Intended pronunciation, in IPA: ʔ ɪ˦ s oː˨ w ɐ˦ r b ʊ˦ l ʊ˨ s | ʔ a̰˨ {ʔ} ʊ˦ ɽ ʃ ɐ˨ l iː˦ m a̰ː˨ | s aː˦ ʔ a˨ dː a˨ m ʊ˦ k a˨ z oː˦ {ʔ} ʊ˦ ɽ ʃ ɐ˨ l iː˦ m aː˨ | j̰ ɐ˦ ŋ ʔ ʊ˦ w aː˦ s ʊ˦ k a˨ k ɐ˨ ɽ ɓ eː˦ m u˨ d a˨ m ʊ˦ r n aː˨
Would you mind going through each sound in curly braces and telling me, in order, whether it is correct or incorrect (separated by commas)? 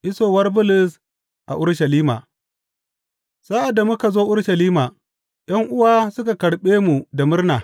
correct, correct